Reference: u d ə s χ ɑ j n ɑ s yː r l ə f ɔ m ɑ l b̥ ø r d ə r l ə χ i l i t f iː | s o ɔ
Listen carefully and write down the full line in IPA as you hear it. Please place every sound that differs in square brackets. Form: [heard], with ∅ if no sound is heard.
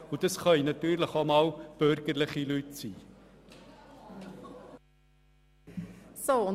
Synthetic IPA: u d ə s χ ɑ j n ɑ [t] yː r l ə [χ] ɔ m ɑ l b̥ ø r [ɡ] ə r l ə χ i l [y] t [s] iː | s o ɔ